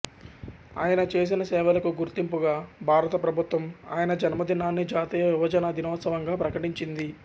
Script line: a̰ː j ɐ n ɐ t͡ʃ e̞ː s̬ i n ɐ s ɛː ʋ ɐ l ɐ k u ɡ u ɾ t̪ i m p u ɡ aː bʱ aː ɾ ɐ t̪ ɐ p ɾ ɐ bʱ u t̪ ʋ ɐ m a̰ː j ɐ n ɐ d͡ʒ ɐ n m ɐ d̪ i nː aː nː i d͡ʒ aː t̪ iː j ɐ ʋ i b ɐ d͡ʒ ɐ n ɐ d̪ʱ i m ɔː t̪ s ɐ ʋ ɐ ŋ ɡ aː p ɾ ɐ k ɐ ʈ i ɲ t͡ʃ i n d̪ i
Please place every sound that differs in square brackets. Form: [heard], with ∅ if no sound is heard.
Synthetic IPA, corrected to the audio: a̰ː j ɐ n ɐ t͡ʃ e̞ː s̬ i n ɐ s ɛː ʋ ɐ l ɐ k u ɡ u ɾ t̪ i m p u ɡ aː bʱ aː ɾ ɐ t̪ ɐ p ɾ ɐ bʱ u t̪ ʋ ɐ m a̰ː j ɐ n ɐ d͡ʒ ɐ n m ɐ d̪ i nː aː nː i d͡ʒ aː t̪ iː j ɐ ʋ i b ɐ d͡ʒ ɐ n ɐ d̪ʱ i [n] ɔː t̪ s ɐ ʋ ɐ ŋ ɡ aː p ɾ ɐ k ɐ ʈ i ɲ t͡ʃ i n d̪ i